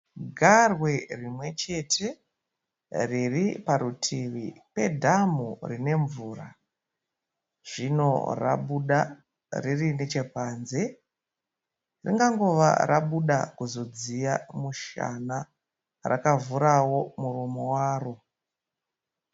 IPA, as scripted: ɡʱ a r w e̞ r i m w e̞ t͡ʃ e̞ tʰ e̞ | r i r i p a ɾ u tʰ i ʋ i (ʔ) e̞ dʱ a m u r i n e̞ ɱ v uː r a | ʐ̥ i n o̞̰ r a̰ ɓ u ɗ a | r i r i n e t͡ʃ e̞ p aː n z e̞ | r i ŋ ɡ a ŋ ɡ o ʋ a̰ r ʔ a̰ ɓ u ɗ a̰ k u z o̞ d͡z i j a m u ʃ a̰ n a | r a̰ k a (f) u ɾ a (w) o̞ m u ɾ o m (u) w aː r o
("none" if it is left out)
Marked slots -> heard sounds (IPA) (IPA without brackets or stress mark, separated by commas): p, v, w, o